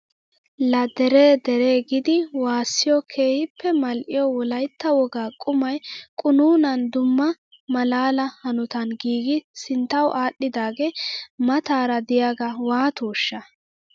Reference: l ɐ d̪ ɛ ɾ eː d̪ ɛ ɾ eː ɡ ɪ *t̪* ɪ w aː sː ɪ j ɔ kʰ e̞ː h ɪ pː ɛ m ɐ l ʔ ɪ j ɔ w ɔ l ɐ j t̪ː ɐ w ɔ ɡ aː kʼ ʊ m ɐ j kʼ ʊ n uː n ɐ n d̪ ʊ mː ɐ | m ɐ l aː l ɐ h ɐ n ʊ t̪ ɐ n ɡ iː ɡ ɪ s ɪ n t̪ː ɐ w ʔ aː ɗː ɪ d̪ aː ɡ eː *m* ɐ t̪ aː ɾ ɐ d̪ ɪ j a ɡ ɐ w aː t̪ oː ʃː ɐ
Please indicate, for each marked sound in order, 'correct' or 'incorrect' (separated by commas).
incorrect, correct